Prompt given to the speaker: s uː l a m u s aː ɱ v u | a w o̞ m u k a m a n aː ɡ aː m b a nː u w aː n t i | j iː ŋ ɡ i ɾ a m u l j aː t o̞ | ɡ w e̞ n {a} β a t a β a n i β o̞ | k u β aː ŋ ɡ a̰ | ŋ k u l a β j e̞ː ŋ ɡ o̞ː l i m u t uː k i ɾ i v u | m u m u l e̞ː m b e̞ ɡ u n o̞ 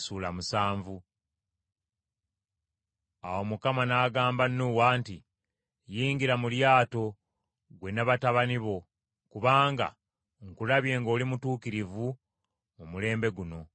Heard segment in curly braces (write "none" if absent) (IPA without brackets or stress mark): a